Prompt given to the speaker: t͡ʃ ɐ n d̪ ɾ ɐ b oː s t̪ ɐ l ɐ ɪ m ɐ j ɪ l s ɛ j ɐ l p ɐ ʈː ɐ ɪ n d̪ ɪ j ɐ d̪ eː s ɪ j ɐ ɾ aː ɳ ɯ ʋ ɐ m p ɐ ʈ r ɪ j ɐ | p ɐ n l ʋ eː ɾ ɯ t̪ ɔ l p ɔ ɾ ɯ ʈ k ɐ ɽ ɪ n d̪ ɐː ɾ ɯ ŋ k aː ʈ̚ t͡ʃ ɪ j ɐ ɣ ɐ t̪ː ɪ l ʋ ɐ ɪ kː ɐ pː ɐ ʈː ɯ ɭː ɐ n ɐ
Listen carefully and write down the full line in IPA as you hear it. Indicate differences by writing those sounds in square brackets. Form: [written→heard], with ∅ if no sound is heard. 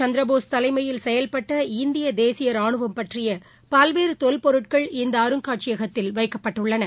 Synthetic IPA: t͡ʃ ɐ n d̪ ɾ ɐ b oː s t̪ ɐ l ɐ ɪ m ɐ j ɪ l s ɛ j ɐ l p ɐ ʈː ɐ ɪ n d̪ ɪ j ɐ d̪ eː s ɪ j ɐ ɾ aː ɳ ɯ ʋ ɐ m p ɐ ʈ r ɪ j ɐ | p ɐ [n→∅] l ʋ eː ɾ ɯ t̪ ɔ l p ɔ ɾ ɯ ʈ k ɐ [ɽ→ɭ] ɪ n d̪ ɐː ɾ ɯ ŋ k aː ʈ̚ t͡ʃ ɪ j ɐ ɣ ɐ t̪ː ɪ l ʋ ɐ ɪ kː ɐ pː ɐ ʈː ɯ ɭː ɐ n ɐ